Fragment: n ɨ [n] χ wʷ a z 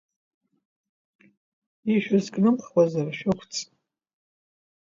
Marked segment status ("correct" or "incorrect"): incorrect